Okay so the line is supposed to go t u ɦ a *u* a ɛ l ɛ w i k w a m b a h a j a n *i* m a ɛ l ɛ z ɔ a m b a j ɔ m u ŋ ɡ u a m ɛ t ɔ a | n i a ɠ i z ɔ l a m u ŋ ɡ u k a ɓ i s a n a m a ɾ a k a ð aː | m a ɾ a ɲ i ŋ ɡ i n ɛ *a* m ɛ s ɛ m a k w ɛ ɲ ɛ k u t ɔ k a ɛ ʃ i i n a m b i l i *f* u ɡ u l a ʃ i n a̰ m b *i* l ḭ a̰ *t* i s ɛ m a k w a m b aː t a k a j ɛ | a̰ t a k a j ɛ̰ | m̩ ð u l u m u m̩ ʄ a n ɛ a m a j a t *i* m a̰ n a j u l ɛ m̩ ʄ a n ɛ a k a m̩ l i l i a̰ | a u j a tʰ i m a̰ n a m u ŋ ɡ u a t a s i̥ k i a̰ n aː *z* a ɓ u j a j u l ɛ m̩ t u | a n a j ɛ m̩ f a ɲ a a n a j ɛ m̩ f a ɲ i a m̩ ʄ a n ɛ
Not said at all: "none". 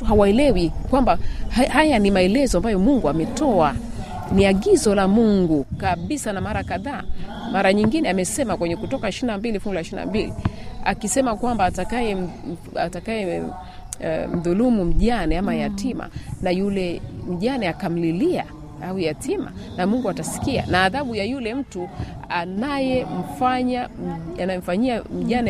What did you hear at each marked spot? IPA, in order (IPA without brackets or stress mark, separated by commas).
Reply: w, i, a, f, i, k, i, ð